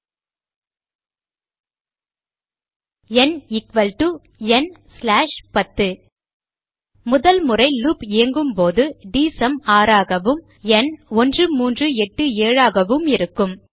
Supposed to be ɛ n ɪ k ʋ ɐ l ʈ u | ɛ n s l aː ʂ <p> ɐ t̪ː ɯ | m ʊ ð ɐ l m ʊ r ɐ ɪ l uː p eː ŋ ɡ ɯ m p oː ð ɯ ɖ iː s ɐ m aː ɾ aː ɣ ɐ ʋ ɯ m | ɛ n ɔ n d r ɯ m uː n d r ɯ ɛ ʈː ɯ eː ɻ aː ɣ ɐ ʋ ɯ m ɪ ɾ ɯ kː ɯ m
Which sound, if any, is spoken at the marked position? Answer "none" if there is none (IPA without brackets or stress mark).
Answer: p